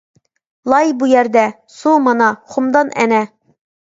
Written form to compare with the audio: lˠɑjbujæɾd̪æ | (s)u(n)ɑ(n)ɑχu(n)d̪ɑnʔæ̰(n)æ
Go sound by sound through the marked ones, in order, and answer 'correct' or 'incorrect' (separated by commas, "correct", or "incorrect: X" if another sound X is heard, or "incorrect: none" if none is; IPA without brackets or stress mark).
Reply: correct, incorrect: m, correct, incorrect: m, correct